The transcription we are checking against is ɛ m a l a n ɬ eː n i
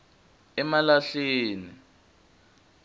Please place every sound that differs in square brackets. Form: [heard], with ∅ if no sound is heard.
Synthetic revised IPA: ɛ m a l a [∅] ɬ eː n i